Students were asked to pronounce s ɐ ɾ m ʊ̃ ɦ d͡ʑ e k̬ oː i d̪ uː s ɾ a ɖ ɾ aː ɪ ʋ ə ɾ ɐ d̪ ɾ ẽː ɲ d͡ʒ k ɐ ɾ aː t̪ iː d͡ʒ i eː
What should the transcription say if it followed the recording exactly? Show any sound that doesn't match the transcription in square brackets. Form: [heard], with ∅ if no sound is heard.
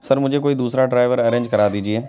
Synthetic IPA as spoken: s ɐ ɾ m ʊ̃ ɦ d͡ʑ e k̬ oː i d̪ uː s ɾ a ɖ ɾ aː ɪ ʋ ə ɾ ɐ [∅] ɾ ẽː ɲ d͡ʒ k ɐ ɾ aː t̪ iː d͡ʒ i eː